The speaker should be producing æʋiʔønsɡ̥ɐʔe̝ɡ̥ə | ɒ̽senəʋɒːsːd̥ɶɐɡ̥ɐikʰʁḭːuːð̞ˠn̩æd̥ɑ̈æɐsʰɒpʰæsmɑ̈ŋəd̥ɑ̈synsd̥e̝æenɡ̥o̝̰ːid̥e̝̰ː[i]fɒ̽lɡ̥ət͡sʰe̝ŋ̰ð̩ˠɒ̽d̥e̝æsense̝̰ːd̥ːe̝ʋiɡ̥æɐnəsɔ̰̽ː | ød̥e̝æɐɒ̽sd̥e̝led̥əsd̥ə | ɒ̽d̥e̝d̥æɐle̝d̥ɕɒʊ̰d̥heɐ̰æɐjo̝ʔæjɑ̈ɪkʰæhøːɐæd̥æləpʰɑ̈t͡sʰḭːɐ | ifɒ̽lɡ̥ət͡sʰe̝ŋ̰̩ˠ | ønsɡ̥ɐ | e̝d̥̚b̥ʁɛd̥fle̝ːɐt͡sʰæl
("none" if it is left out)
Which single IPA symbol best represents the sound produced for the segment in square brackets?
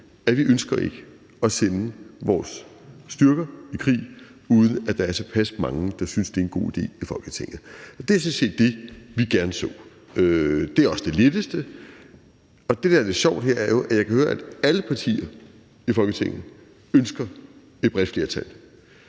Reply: i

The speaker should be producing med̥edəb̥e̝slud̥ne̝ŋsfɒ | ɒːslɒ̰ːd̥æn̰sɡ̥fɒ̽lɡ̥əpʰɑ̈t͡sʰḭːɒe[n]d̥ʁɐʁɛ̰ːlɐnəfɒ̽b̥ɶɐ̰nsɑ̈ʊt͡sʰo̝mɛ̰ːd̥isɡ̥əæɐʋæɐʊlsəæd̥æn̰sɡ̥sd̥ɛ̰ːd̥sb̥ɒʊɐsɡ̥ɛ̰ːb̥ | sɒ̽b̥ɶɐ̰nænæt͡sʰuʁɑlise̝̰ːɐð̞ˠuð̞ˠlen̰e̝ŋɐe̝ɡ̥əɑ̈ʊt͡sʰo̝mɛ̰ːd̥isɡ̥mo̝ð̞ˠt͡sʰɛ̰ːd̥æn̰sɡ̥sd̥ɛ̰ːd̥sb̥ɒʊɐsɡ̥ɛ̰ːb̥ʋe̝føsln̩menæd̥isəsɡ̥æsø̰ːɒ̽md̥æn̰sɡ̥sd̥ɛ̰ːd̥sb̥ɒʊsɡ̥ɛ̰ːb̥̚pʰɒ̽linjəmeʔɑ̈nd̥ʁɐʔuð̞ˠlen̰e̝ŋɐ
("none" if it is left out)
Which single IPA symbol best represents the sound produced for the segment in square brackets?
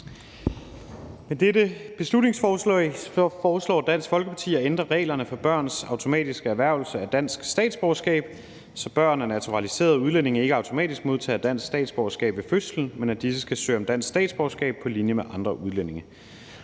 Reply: n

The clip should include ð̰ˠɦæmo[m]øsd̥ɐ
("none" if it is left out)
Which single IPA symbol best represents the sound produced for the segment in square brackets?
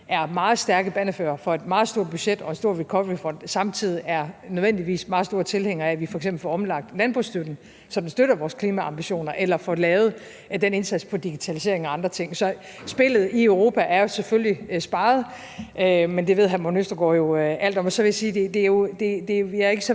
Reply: n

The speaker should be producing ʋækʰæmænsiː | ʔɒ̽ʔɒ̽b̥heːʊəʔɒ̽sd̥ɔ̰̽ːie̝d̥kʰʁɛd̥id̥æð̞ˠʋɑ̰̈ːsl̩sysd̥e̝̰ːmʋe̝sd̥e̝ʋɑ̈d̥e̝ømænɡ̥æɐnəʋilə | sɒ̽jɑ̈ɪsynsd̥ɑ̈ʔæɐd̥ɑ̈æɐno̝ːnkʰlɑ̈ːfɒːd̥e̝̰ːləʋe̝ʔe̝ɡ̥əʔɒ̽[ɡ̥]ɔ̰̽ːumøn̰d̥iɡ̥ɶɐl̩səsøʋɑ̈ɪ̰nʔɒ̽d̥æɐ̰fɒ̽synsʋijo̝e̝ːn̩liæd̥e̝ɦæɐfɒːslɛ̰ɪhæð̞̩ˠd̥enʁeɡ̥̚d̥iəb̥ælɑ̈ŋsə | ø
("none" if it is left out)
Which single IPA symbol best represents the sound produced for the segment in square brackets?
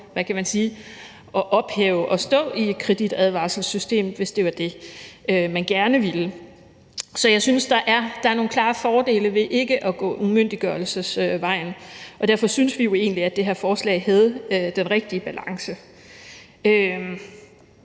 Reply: ɡ̥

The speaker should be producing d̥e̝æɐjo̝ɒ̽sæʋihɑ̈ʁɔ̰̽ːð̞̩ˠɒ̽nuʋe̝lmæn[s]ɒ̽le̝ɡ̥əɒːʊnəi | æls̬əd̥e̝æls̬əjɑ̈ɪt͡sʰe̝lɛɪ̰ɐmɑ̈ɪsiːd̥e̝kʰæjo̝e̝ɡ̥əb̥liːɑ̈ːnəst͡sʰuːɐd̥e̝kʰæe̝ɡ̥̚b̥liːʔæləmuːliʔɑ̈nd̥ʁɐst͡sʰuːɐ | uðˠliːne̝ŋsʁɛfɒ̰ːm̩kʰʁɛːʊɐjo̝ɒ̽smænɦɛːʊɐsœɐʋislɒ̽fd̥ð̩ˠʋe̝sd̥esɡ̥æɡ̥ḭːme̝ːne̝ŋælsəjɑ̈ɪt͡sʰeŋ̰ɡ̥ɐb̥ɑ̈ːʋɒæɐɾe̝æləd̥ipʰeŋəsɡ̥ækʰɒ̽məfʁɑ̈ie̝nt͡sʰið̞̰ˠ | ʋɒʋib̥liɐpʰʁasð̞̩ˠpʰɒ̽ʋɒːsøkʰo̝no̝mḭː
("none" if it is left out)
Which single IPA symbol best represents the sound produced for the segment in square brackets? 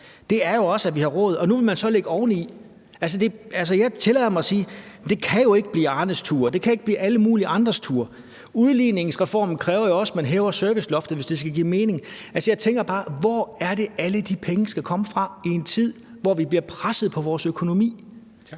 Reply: s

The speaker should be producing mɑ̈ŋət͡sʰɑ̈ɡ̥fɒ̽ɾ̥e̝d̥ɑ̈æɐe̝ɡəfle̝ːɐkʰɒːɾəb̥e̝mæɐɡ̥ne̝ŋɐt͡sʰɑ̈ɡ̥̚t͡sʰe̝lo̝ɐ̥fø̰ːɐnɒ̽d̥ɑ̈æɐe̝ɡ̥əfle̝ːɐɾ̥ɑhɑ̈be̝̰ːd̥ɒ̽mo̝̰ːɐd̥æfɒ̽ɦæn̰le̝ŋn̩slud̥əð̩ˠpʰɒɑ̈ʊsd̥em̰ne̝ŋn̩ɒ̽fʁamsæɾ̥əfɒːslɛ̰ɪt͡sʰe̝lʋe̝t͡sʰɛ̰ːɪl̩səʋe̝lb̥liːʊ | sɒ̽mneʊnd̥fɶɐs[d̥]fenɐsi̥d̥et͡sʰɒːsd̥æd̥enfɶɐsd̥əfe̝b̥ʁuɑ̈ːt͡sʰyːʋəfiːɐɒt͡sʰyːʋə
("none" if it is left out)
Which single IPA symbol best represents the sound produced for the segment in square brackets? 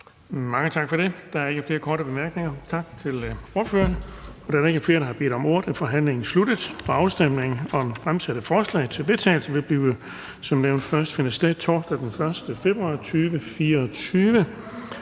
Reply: d̥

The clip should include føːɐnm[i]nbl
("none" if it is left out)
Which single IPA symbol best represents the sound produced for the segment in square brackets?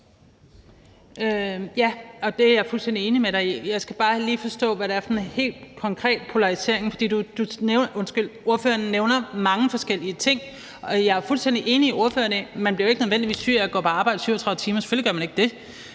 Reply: æ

